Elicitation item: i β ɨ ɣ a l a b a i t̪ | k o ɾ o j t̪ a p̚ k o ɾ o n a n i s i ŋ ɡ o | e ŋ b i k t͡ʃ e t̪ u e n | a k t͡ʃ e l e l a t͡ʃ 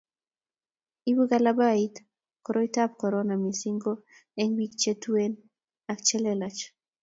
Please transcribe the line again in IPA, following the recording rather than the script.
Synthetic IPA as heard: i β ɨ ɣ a l a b a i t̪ | k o ɾ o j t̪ a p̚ k o ɾ o n a m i s i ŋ ɡ o | e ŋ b i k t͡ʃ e t̪ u e n | a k t͡ʃ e l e l a t͡ʃ